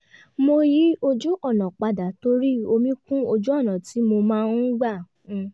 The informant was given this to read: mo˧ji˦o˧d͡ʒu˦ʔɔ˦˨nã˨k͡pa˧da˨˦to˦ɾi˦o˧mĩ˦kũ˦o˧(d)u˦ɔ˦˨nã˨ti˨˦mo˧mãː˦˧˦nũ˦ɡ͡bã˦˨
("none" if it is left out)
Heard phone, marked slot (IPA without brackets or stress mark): d͡ʒ